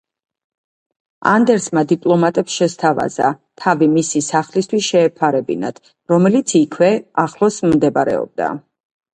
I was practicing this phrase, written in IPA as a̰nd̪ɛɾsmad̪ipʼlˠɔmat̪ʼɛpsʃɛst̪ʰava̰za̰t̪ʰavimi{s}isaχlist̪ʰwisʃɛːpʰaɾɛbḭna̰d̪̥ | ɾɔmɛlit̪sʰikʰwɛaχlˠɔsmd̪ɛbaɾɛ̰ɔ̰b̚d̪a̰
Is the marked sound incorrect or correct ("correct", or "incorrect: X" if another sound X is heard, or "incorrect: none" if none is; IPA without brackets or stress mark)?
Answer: correct